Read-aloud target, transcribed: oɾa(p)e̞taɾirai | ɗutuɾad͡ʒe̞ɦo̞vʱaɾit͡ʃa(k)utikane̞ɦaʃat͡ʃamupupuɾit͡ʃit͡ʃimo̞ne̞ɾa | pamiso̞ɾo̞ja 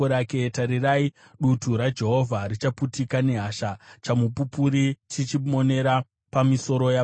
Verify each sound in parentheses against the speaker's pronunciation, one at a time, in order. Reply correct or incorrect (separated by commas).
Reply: incorrect, incorrect